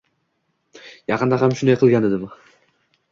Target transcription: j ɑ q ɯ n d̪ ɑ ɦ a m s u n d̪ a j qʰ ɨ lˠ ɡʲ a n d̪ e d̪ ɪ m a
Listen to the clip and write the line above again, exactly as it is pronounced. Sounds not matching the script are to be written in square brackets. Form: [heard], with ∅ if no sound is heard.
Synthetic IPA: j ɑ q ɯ n d̪ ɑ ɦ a m [ʃ] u n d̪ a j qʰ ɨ lˠ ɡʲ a n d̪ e d̪ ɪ m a